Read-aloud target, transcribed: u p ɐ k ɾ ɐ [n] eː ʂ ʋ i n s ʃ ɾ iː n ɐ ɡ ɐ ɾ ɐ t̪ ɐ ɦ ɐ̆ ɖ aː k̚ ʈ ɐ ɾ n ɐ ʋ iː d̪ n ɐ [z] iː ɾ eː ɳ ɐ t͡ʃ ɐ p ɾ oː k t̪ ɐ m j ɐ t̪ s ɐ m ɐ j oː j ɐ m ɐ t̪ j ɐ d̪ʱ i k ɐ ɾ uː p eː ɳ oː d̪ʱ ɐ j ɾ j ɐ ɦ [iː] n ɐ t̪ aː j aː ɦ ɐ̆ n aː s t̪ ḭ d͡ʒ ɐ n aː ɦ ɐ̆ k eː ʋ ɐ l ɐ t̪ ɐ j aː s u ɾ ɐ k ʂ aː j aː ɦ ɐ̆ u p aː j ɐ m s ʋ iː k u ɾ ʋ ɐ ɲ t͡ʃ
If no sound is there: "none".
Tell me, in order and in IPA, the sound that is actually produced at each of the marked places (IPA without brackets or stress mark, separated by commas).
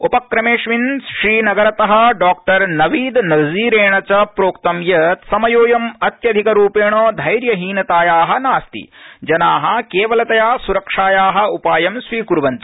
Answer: m, z, iː